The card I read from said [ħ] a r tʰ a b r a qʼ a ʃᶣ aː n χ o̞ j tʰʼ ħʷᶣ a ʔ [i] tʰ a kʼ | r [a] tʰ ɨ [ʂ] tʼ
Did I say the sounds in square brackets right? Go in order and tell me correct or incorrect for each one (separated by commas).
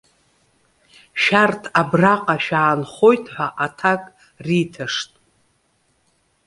incorrect, incorrect, incorrect, correct